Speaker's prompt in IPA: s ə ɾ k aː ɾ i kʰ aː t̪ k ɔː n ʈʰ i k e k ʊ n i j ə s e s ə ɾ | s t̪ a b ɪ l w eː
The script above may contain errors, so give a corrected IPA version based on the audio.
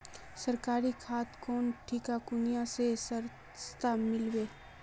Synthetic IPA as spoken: s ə ɾ k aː ɾ i kʰ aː t̪ k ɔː n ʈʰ i k a k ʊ n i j a s e s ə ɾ | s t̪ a m ɪ l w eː

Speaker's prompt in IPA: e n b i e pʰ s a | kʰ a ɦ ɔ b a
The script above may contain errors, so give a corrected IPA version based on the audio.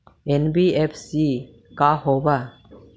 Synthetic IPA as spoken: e n b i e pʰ s i | k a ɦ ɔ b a

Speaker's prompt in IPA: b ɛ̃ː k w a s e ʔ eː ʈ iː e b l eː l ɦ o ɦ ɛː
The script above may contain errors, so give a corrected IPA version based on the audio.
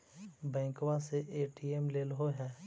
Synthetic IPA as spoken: b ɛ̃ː k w a s e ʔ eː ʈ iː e m l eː l ɦ o ɦ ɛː

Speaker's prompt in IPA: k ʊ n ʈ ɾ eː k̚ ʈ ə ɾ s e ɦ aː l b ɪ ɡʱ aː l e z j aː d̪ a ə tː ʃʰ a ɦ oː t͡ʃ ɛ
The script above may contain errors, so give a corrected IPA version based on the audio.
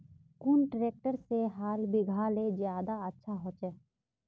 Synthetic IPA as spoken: k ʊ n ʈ ɾ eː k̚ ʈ ə ɾ s e ɦ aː l b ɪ ɡʱ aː l e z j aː d̪ a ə tː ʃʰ a ɦ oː t͡ʃ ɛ

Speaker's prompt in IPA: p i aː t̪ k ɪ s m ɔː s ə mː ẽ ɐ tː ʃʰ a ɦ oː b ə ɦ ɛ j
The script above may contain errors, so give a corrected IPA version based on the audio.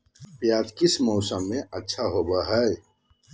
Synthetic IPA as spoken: p j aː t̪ k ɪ s m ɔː s ə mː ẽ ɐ tː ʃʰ a ɦ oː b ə ɦ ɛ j

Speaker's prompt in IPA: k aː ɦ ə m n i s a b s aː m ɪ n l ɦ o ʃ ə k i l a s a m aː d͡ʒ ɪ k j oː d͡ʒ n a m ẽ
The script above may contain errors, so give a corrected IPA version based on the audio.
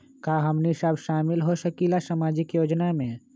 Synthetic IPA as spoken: k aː ɦ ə m n i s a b ʃ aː m ɪ l ɦ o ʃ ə k i l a s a m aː d͡ʒ ɪ k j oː d͡ʒ n a m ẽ

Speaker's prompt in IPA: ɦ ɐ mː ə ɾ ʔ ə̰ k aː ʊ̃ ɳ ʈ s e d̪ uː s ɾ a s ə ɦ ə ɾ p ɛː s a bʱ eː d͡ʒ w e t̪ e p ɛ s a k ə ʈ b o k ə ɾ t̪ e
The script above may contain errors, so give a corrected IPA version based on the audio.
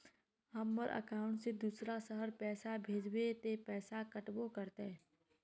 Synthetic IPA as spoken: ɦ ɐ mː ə ɾ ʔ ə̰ k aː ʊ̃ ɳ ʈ s e d̪ uː s ɾ a s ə ɦ ə ɾ p ɛː s a bʱ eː d͡ʒ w e t̪ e p ɛː s a k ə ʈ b o k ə ɾ t̪ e

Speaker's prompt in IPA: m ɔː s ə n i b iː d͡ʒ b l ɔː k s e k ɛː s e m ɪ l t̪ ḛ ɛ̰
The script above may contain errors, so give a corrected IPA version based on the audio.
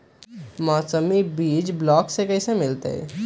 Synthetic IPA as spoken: m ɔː s ə m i b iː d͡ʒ b l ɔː k s e k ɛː s e m ɪ l t̪ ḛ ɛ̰

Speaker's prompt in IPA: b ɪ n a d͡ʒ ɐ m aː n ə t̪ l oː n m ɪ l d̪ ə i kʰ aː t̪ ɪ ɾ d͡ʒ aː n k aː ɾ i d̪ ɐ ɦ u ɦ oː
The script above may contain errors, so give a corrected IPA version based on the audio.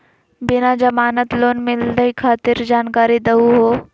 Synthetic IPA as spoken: b ɪ n a d͡ʒ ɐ m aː n ə t̪ l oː n m ɪ l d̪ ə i kʰ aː t̪ ɪ ɾ d͡ʒ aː n k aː ɾ i d̪ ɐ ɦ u ɦ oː

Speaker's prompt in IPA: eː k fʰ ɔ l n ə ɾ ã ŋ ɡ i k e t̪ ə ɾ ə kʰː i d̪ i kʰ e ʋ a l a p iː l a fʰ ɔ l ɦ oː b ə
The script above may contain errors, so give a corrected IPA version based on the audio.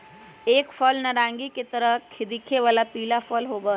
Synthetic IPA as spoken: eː k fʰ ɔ l n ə ɾ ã ŋ ɡ i k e t̪ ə ɾ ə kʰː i d̪ i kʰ e ʋ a l a p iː l a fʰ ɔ l ɦ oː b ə

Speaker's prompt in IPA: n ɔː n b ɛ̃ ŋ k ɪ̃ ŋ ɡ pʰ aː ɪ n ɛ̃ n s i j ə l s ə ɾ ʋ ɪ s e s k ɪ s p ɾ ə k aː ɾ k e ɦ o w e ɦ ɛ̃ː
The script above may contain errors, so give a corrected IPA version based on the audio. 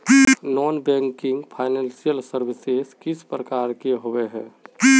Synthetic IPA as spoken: n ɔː n b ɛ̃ ŋ k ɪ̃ ŋ ɡ pʰ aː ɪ n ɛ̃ n s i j ə l s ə ɾ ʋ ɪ s e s k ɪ s p ɾ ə k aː ɾ k e ɦ o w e ɦ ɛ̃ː

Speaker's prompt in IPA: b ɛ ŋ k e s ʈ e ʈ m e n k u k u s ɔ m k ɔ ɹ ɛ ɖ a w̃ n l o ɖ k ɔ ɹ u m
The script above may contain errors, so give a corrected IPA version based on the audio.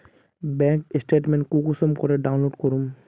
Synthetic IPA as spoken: b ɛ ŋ k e s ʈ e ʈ m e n k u k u s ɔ m k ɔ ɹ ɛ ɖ a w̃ n l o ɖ k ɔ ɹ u m

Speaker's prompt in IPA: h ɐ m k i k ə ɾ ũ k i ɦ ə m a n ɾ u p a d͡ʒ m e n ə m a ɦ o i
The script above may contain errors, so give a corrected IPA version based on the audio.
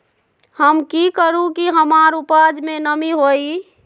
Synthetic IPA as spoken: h ə m k i k ə ɾ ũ k i ɦ ə m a ɾ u p a d͡ʒ m e n ə m i ɦ o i

